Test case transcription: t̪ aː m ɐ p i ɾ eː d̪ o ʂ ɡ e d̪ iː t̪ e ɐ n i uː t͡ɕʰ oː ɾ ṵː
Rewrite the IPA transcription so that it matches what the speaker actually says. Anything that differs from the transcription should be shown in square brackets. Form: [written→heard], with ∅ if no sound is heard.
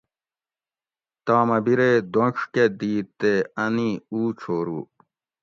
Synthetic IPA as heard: t̪ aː m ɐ [p→b] i ɾ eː d̪ o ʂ [ɡ→k] e d̪ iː t̪ e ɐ n i uː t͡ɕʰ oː ɾ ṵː